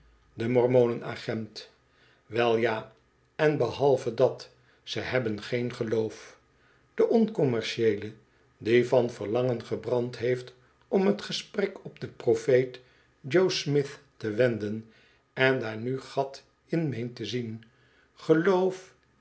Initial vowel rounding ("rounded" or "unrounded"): unrounded